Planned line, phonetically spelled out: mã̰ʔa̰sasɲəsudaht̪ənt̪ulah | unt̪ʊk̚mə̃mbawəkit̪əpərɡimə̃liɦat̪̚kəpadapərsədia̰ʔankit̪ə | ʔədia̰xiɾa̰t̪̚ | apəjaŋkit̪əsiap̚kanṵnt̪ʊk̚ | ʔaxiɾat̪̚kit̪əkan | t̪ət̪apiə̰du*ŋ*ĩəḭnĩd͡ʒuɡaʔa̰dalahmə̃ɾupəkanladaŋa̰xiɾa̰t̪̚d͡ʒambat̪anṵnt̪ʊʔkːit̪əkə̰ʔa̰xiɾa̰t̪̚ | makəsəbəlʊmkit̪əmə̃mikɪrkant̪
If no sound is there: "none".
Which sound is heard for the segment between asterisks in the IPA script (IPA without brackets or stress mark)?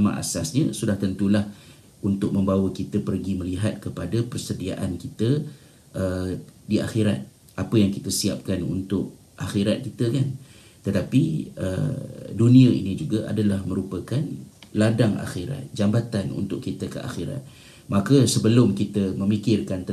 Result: n